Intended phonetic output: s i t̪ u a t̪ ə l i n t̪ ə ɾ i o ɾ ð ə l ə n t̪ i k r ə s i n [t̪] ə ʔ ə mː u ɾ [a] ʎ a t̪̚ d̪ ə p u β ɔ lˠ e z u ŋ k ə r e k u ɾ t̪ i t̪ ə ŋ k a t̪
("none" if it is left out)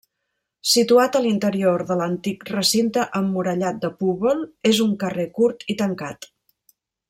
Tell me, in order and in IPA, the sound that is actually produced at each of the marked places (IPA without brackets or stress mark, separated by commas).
t̪, ə